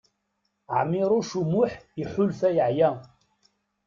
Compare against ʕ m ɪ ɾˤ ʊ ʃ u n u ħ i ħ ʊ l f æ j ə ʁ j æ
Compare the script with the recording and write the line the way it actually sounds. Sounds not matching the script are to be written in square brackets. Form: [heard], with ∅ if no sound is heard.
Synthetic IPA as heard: ʕ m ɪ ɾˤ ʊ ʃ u [m] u ħ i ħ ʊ l f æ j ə [ʕ] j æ

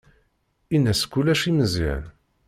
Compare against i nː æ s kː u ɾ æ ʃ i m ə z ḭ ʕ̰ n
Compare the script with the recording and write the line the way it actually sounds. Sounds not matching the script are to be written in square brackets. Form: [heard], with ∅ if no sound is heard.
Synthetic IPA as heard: i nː æ s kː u [l] æ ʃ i m ə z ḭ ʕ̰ n

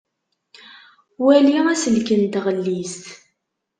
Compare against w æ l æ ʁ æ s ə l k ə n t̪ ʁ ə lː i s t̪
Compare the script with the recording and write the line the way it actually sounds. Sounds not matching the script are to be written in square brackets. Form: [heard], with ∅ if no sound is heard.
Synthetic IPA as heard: w æ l [i] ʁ æ s ə l k ə n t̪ ʁ ə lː i s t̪

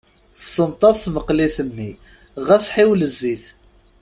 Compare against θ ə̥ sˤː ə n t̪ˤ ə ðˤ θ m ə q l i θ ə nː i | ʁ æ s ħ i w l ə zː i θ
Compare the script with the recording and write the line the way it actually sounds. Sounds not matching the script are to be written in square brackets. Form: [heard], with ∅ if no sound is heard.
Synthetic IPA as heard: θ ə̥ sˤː ə n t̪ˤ [ɑ] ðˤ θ m ə q l i θ ə nː i | ʁ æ s ħ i w l ə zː i θ

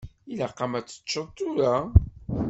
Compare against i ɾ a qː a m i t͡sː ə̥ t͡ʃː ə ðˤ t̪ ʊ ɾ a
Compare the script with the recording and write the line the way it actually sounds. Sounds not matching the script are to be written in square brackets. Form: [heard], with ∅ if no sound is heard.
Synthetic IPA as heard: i [l] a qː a m [æ] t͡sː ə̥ t͡ʃː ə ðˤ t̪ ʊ ɾ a

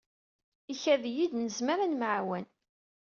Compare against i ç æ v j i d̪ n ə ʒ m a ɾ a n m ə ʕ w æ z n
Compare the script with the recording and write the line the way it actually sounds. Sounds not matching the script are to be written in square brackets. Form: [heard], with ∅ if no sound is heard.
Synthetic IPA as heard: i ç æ [ð] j i d̪ n ə [z] m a ɾ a n m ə ʕ w æ [∅] n

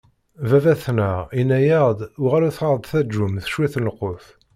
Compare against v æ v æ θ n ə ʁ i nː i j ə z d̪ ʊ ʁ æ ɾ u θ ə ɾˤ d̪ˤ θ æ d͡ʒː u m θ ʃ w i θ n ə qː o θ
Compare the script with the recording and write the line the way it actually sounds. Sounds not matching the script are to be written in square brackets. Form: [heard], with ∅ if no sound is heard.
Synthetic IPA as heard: v æ v æ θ n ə ʁ i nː [æ] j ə [ʁ] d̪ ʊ ʁ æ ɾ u θ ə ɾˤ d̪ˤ θ æ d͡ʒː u m θ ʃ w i θ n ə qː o θ

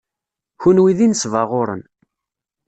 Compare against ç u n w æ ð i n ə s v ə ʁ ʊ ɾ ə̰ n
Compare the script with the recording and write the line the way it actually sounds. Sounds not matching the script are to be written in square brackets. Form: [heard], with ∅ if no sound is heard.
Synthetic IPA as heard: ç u n w [i] ð i n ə s v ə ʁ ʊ ɾ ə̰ n

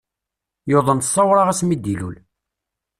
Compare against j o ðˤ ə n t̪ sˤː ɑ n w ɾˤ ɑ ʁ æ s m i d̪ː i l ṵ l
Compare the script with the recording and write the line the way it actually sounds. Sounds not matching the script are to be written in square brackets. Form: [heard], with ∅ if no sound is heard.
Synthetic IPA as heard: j o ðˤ ə n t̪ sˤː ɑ [∅] w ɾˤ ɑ ʁ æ s m i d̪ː i l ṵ l

